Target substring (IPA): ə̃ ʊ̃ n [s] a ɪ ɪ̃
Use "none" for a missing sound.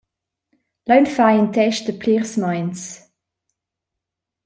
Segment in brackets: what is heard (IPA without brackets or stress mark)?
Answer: f